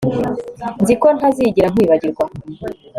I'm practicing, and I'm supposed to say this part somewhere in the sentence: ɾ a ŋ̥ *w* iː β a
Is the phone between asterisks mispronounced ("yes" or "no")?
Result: no